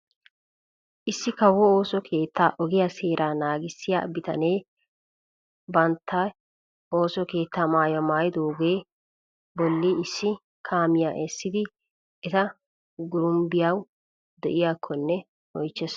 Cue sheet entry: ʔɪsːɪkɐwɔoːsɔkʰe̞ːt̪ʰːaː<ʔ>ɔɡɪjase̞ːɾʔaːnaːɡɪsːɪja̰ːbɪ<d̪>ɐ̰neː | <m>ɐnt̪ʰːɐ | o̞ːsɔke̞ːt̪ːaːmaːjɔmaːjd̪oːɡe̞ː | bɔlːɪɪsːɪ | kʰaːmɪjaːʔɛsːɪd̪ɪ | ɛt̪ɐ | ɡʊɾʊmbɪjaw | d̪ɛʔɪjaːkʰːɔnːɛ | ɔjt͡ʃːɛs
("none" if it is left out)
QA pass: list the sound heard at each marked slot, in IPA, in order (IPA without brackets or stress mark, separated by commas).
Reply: ʔ, t̪, b